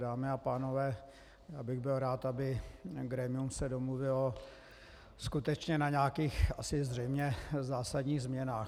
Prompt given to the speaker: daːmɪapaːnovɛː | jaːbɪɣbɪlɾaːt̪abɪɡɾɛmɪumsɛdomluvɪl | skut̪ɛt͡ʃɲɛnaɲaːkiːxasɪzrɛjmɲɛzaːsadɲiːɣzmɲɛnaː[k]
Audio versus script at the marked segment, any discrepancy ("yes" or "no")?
yes